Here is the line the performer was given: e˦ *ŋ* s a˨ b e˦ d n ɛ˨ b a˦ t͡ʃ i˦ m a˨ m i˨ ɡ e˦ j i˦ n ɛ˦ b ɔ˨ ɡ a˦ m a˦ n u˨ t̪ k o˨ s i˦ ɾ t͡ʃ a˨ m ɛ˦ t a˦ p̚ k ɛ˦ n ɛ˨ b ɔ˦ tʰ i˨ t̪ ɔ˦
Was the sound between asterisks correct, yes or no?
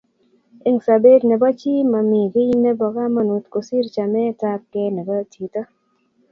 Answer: yes